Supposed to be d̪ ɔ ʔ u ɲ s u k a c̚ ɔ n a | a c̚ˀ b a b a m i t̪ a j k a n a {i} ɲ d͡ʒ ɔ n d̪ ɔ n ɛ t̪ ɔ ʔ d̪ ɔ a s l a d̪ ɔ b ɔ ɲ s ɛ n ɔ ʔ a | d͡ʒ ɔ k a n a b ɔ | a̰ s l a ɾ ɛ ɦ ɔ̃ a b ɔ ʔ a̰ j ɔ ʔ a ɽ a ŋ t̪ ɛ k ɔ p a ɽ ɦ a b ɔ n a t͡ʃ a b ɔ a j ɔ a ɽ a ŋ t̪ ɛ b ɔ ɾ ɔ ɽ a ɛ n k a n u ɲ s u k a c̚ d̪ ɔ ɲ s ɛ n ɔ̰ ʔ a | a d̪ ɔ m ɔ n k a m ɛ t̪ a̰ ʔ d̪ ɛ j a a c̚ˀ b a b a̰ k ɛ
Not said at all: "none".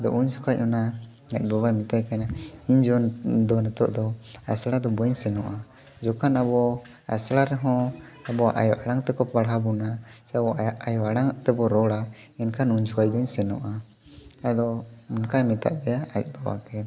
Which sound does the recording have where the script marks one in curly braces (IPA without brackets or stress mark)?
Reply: i